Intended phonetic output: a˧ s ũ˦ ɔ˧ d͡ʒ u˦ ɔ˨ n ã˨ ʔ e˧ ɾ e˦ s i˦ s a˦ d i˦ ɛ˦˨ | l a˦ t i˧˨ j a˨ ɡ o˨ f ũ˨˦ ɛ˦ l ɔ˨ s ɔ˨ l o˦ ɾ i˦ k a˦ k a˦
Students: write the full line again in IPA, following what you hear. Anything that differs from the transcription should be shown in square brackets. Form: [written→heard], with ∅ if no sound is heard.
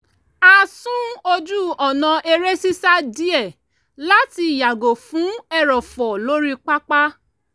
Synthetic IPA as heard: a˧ s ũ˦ [ɔ˧→o˧] d͡ʒ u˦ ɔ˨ n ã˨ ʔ e˧ ɾ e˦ s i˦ s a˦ d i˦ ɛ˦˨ | l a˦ t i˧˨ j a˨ ɡ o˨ f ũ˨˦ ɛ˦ [l→ɾ] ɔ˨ [s→f] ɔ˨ l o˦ ɾ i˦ [k→k͡p] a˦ [k→k͡p] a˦